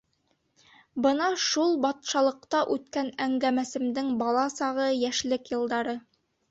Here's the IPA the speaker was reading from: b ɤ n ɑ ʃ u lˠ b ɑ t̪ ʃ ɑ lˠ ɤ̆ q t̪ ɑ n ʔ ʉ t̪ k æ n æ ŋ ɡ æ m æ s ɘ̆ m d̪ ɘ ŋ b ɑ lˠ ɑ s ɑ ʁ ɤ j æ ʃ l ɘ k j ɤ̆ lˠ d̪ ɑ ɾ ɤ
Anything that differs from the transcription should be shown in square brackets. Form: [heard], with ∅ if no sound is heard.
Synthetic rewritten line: b ɤ n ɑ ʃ u lˠ b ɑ t̪ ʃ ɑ lˠ ɤ̆ q t̪ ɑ [∅] ʔ ʉ t̪ k æ n æ ŋ ɡ æ m æ s ɘ̆ m d̪ ɘ ŋ b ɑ lˠ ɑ s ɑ ʁ ɤ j æ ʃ l ɘ k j ɤ̆ lˠ d̪ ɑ ɾ ɤ